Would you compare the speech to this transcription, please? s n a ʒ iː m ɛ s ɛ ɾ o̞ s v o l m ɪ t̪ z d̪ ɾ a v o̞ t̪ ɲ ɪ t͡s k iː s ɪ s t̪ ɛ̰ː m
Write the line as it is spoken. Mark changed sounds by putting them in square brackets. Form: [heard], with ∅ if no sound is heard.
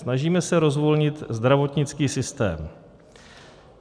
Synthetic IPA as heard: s n a ʒ iː m ɛ s ɛ ɾ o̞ [z] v o l [ɲ] ɪ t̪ z d̪ ɾ a v o̞ t̪ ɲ ɪ t͡s k iː s ɪ s t̪ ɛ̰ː m